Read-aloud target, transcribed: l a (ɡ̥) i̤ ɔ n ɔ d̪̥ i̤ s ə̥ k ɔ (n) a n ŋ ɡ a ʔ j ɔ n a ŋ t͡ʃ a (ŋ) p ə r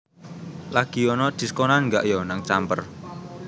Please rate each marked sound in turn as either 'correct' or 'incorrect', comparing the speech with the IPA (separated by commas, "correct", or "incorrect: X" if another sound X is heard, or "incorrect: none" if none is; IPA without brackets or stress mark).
correct, correct, incorrect: m